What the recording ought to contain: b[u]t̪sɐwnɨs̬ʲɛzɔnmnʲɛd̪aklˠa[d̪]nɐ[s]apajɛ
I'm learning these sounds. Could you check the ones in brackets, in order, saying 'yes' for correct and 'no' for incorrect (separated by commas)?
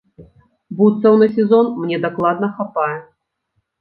yes, yes, no